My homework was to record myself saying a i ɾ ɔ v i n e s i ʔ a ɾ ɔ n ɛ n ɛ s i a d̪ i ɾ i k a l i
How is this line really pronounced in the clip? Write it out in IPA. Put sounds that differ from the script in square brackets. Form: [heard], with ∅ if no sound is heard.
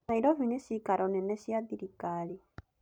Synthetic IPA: a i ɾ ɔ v i n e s i [k] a ɾ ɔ n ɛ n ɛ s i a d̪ i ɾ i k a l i